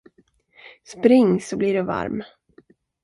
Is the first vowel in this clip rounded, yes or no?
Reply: no